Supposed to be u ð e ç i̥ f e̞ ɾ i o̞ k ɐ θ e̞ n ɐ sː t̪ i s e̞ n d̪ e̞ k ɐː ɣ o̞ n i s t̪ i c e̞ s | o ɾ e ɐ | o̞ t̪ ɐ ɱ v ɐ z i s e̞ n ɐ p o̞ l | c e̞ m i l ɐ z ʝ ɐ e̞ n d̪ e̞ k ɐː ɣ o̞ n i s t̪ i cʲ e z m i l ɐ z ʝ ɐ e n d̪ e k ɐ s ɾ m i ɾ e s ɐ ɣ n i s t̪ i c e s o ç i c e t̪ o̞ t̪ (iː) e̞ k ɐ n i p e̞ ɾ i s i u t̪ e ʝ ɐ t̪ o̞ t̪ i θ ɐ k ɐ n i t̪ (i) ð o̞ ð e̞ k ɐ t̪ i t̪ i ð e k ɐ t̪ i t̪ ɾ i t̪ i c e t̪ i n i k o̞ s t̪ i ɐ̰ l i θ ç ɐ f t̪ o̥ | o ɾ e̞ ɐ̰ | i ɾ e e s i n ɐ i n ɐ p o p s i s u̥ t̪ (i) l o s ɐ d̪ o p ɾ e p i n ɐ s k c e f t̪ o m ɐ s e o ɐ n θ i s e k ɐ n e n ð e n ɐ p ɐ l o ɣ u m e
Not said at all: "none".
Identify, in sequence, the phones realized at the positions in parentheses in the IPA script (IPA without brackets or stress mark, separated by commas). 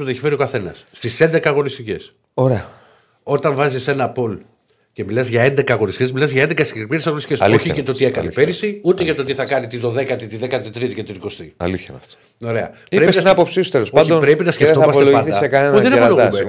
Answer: i, i, e